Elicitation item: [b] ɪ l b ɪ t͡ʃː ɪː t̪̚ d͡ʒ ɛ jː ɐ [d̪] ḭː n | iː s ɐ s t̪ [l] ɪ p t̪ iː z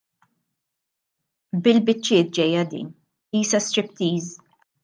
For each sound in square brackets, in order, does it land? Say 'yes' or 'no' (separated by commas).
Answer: yes, yes, no